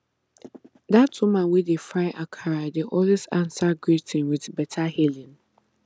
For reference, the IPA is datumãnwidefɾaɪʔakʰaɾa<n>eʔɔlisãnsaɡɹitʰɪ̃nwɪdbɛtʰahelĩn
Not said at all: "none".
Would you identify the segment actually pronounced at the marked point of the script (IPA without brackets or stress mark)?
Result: d